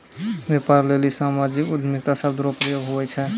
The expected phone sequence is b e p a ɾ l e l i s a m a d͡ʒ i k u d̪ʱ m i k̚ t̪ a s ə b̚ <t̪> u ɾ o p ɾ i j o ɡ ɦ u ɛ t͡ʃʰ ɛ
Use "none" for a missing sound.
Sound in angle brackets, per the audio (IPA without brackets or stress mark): d̪